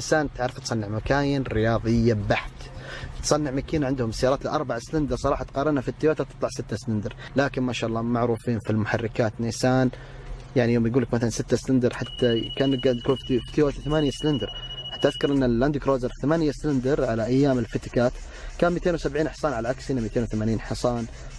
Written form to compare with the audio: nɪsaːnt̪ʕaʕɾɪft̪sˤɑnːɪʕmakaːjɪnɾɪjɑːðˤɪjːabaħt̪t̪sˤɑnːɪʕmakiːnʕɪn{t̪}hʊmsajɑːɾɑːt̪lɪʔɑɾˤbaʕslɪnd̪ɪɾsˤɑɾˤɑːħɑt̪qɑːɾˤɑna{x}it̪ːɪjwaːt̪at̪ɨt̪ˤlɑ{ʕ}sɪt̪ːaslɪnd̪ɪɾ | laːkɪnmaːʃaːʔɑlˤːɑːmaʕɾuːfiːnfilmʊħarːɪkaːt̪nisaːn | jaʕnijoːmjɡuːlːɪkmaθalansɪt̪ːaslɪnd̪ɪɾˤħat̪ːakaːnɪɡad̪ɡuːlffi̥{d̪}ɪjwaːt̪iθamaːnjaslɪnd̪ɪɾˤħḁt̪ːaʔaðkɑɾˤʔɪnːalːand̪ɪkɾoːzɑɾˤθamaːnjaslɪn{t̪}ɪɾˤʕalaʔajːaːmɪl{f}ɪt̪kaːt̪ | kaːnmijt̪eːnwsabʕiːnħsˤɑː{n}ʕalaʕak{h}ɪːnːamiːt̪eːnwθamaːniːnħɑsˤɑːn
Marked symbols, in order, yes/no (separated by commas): no, no, yes, no, no, yes, yes, no